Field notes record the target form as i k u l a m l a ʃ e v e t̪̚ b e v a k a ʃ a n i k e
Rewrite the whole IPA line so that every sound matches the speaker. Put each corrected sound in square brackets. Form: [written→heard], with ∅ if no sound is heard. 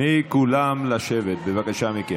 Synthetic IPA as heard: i k u l a m l a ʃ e v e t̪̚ b e v a k a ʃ a [n→m] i k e